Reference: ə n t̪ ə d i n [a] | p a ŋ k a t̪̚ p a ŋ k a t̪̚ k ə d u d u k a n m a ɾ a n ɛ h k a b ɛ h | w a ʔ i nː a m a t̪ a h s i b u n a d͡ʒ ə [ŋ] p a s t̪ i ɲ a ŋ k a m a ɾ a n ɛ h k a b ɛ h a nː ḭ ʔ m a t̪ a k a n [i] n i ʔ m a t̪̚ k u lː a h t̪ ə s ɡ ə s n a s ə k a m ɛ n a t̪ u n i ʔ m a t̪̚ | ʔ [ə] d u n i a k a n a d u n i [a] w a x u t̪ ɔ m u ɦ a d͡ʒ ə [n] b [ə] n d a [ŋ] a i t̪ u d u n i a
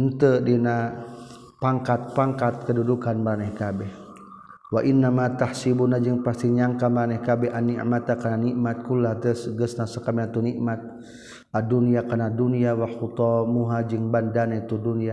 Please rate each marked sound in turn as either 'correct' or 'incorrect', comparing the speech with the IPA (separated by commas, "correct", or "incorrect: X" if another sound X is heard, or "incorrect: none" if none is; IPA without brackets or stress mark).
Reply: correct, correct, incorrect: a, incorrect: a, correct, incorrect: ŋ, incorrect: a, incorrect: n